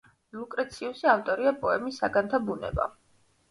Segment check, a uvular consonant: absent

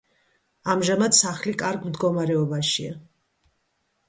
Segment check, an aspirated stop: absent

